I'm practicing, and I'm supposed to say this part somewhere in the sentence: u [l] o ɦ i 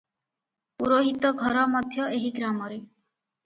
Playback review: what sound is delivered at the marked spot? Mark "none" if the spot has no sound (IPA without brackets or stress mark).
ɾ